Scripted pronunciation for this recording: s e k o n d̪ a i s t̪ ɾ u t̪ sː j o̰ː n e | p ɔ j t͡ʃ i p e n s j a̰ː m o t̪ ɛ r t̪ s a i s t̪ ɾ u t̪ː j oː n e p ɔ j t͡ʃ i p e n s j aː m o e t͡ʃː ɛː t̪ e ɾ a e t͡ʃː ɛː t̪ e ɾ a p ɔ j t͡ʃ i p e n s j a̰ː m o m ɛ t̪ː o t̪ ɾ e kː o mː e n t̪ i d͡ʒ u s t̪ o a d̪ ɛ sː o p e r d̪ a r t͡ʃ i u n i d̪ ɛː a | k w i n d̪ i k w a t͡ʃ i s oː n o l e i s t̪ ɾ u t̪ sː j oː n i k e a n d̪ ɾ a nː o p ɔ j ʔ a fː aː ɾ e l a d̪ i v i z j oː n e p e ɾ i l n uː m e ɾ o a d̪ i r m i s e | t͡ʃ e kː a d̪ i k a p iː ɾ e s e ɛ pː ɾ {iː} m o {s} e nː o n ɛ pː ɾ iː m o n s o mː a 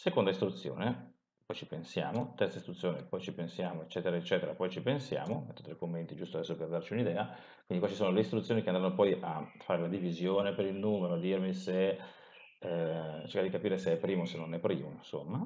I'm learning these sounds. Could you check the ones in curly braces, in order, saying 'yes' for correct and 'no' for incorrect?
yes, yes

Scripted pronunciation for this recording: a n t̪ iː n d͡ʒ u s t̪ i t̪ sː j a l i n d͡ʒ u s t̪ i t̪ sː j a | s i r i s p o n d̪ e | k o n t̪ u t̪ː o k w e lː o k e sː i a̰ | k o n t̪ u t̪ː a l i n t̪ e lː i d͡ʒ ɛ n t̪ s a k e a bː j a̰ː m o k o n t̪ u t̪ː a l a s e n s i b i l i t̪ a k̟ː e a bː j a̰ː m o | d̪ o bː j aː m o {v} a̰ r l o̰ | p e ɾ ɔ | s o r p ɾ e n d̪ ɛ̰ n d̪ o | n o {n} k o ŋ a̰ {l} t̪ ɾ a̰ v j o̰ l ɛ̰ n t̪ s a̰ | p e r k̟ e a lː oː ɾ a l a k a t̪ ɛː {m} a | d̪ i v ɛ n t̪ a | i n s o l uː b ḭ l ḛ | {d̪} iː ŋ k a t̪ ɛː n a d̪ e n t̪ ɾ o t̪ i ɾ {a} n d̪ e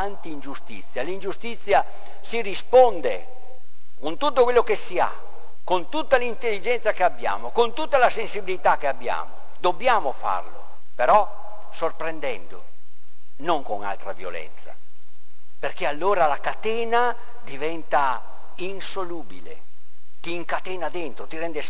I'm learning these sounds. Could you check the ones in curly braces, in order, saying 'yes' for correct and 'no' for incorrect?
no, no, yes, no, no, no

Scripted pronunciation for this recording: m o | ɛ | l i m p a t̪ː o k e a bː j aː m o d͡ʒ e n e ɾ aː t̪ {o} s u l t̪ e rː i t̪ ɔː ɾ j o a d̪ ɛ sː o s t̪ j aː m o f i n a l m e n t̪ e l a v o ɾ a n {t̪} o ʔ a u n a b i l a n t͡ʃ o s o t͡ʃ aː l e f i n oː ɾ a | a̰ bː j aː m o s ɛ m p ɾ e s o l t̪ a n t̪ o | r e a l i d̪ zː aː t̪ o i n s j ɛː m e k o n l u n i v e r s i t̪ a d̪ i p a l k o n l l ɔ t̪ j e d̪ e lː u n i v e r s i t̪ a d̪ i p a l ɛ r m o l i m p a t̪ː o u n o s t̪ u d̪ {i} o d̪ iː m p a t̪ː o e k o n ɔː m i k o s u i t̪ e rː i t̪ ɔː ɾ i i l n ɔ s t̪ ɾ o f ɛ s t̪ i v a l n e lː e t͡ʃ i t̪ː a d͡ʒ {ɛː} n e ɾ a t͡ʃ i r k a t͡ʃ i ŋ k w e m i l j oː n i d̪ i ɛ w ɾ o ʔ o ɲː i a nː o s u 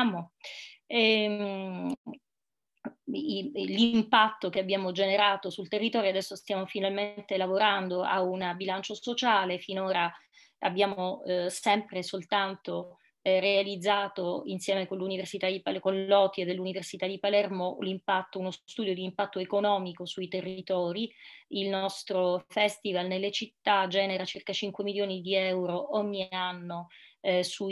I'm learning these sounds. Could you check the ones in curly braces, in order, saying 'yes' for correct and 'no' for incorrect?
yes, no, no, yes

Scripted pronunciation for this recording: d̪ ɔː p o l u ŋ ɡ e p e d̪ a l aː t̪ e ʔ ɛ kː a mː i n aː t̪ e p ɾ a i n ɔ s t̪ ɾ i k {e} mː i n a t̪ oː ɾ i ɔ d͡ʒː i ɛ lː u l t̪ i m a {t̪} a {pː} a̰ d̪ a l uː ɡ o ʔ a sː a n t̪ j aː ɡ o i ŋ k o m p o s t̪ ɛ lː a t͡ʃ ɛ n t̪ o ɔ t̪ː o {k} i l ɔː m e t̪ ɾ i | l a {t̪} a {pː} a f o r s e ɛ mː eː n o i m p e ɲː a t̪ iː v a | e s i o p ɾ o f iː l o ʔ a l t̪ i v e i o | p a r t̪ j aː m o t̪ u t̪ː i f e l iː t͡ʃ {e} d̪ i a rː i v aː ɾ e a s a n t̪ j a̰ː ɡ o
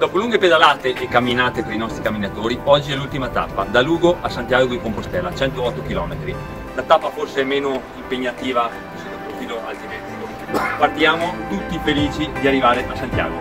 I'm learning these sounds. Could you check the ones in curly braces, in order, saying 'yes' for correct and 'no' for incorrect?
no, yes, yes, yes, yes, yes, no

